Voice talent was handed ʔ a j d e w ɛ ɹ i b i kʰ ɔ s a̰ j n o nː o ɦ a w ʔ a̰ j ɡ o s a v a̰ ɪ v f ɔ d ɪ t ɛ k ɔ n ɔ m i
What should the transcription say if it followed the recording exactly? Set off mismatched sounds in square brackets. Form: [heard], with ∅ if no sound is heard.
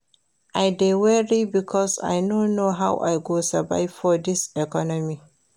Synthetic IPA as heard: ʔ a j d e w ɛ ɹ i b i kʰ ɔ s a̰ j n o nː o ɦ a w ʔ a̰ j ɡ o s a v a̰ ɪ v f ɔ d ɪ [s] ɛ k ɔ n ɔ m i